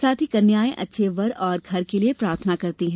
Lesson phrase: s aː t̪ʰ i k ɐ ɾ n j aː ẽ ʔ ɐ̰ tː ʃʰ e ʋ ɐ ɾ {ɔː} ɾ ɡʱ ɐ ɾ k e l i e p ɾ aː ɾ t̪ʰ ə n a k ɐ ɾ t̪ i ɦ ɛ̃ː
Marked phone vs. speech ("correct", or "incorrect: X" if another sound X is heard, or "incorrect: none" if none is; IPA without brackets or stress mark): correct